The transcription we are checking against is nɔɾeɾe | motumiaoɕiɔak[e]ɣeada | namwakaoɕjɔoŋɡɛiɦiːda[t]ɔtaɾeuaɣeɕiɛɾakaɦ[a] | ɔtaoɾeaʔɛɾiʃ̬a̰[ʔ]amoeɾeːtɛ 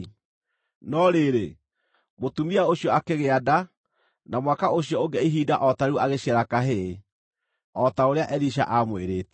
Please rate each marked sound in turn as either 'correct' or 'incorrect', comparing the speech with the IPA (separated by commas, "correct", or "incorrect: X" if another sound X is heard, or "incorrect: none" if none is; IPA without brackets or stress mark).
correct, incorrect: ʔ, incorrect: e, correct